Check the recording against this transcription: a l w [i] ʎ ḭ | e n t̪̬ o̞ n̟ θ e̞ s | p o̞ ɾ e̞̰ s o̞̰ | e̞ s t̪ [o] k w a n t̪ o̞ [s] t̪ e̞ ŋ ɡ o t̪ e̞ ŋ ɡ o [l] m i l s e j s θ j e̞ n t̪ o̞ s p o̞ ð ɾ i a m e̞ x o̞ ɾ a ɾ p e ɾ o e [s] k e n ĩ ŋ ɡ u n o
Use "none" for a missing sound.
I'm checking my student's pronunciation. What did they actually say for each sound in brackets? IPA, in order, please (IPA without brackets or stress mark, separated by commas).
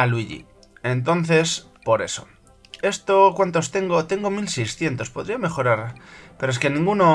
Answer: i, o, s, none, s